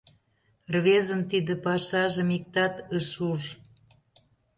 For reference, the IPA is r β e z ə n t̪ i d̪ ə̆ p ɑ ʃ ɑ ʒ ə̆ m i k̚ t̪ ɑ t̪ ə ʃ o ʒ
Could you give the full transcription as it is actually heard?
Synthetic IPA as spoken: r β e z ə n t̪ i d̪ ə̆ p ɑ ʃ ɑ ʒ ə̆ m i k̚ t̪ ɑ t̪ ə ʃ u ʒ